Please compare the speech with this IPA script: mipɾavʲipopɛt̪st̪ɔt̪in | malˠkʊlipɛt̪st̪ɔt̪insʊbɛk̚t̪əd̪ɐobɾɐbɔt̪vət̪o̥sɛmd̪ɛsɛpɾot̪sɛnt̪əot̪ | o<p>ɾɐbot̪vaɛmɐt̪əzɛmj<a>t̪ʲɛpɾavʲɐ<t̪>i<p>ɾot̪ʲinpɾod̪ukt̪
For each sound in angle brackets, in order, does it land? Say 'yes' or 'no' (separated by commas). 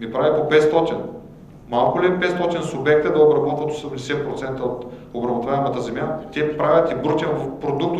no, yes, yes, no